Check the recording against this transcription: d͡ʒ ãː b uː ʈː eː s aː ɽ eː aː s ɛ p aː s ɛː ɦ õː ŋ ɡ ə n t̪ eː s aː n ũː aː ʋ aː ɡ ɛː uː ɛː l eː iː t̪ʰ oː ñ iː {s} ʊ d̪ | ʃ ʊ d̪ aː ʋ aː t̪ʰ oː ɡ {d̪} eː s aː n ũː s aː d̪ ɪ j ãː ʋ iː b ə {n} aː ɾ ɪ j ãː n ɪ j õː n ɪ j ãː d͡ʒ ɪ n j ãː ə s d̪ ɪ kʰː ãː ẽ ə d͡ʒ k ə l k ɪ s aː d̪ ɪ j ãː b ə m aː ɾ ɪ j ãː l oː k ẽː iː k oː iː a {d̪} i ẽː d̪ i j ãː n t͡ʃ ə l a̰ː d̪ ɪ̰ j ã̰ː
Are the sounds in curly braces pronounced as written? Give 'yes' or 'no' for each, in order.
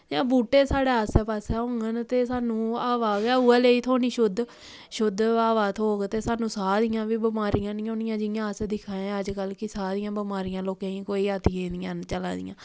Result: no, no, no, no

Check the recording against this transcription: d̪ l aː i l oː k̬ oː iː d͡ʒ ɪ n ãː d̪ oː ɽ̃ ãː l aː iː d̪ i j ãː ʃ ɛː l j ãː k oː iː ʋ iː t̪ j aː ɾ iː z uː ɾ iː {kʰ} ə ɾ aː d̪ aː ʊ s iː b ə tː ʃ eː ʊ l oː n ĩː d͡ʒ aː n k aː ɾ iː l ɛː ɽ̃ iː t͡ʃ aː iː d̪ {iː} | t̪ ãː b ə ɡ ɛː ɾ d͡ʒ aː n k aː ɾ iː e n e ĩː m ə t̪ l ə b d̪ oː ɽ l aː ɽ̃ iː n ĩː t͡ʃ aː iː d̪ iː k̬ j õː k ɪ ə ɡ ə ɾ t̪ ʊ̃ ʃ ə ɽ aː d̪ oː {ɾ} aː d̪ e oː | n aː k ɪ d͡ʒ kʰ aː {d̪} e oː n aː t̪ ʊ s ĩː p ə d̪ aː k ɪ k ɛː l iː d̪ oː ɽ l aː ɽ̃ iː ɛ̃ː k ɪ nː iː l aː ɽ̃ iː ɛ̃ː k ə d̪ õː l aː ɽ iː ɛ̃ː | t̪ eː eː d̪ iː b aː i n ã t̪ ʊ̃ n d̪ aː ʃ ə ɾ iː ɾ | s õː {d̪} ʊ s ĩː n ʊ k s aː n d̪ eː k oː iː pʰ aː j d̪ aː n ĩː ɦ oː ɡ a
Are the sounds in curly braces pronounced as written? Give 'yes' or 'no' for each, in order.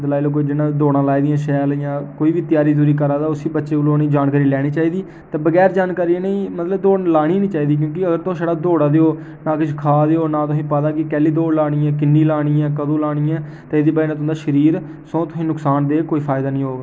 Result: no, yes, no, yes, no

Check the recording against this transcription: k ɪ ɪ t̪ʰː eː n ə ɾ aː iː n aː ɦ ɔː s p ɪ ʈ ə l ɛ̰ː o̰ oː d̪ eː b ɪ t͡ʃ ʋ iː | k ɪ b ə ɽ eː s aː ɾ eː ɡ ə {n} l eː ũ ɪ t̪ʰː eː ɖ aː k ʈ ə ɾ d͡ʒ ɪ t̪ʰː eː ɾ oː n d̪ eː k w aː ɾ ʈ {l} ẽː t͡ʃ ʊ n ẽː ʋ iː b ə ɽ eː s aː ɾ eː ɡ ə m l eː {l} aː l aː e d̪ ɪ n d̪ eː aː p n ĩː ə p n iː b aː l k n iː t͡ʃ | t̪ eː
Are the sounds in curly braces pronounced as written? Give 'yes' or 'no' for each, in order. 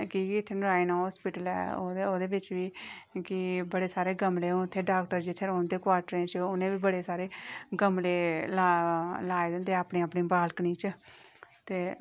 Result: no, no, yes

